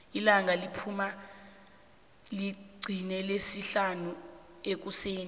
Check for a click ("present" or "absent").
present